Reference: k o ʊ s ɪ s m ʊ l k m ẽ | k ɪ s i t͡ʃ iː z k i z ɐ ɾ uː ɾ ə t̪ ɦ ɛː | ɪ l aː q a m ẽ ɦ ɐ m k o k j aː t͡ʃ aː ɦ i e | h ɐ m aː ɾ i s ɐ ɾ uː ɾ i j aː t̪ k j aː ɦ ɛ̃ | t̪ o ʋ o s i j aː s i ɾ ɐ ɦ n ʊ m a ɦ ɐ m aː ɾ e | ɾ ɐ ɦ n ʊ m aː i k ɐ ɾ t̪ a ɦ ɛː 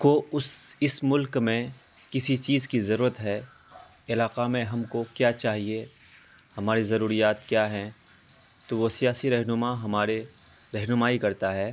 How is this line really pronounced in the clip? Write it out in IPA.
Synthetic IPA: k o ʊ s ɪ s m ʊ l k m ẽ | k ɪ s i t͡ʃ iː z k i z ɐ ɾ uː ɾ ə t̪ ɦ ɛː | ɪ l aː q a m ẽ ɦ ɐ m k o k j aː t͡ʃ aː ɦ i e | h ɐ m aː ɾ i z ɐ ɾ uː ɾ i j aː t̪ k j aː ɦ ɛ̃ | t̪ o ʋ o s i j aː s i ɾ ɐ ɦ n ʊ m a ɦ ɐ m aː ɾ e | ɾ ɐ ɦ n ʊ m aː i k ɐ ɾ t̪ a ɦ ɛː